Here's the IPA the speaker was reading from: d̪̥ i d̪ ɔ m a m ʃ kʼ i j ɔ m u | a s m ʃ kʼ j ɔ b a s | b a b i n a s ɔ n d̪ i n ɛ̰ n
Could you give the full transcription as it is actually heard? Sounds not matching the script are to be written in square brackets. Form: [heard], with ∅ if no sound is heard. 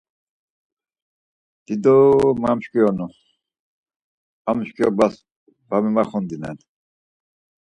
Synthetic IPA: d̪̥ i d̪ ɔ m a m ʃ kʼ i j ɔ [n] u | a [∅] m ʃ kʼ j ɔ b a s | b a [m] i [m] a [χ] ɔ n d̪ i n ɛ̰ n